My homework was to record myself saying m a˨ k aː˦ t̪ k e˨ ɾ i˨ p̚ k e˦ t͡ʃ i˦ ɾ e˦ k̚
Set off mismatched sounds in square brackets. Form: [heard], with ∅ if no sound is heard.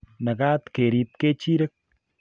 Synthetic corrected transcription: [n] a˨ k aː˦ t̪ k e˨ ɾ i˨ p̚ k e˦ t͡ʃ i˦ ɾ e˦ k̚